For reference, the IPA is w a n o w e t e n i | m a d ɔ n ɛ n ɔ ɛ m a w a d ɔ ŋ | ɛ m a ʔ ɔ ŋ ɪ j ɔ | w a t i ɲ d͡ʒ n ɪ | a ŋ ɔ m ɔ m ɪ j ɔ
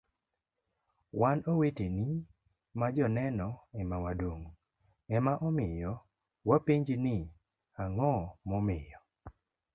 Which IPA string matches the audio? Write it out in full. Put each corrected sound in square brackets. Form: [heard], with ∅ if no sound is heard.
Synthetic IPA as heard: w a n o w e t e n i | m a [d͡ʒ] ɔ n ɛ n ɔ ɛ m a w a d [o] ŋ | ɛ m a ʔ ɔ [m] ɪ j ɔ | w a [p] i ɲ d͡ʒ n ɪ | a ŋ ɔ m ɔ m ɪ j ɔ